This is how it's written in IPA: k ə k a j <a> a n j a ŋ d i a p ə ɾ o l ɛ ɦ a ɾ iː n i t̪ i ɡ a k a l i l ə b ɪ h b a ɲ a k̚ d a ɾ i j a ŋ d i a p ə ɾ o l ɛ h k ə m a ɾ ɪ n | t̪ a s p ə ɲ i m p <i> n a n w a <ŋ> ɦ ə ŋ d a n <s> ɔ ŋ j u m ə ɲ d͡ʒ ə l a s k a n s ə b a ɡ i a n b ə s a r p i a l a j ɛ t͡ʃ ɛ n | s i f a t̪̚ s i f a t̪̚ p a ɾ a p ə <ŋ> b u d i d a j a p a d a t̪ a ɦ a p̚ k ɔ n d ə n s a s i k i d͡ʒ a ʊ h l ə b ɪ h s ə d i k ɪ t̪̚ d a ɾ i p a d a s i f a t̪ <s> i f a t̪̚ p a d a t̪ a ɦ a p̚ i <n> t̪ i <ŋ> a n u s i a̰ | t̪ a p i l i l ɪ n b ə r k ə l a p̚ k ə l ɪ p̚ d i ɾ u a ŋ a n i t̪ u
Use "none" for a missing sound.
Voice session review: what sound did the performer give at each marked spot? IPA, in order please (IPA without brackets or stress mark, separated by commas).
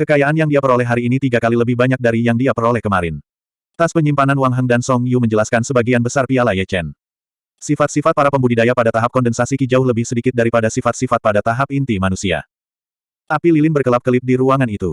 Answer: a, a, ŋ, s, m, s, n, m